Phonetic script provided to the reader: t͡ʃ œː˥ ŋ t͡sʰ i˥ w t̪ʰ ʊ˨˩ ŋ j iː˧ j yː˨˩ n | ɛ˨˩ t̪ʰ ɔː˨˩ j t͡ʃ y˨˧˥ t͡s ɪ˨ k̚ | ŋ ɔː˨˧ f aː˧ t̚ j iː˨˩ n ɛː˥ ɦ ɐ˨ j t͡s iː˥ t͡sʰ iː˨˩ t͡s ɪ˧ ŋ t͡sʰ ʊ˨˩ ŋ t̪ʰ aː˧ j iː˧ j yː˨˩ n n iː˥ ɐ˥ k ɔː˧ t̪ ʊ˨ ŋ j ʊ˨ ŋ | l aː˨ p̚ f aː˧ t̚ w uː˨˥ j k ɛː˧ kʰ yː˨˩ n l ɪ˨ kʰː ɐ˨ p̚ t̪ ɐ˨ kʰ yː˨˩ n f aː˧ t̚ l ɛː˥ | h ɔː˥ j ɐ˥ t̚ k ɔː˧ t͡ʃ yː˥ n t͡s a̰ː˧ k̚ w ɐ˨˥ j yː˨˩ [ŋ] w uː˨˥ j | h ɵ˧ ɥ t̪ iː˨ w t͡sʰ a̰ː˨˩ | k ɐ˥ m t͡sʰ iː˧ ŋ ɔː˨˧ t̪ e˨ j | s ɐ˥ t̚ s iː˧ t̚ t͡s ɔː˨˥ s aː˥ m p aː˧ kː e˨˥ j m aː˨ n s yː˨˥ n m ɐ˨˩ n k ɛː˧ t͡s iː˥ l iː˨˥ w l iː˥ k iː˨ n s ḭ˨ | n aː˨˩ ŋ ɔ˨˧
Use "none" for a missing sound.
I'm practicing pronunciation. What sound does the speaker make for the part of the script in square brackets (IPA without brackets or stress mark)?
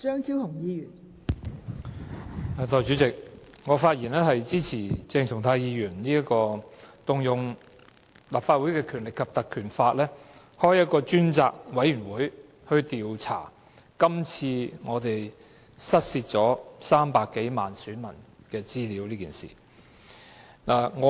n